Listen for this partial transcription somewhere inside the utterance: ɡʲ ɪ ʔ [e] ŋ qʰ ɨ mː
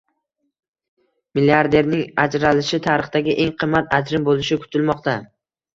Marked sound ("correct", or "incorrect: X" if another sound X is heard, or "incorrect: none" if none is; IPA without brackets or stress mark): correct